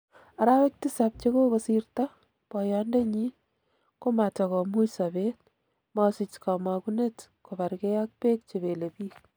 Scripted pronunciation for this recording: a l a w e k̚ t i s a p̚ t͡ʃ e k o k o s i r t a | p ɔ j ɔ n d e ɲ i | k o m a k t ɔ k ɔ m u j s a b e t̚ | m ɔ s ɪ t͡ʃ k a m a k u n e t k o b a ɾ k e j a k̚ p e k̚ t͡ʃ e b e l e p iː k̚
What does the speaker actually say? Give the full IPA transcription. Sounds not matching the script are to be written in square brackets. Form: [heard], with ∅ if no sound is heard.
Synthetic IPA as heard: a [ɾ] a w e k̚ t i s a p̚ t͡ʃ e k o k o s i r t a | p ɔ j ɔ n d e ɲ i | k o m a [∅] t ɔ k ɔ m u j s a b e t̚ | m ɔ s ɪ t͡ʃ k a m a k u n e t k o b a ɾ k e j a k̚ p e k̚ t͡ʃ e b e l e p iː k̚